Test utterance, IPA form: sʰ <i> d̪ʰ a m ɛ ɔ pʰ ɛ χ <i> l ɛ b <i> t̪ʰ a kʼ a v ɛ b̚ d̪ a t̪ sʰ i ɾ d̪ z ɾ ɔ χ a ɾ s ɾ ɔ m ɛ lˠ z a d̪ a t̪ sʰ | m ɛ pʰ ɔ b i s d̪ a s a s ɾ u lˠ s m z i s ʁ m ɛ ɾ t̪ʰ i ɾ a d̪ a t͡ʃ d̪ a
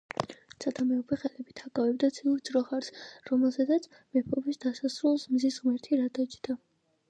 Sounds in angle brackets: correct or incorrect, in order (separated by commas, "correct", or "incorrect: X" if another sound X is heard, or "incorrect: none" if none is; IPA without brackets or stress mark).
incorrect: a, incorrect: ɛ, correct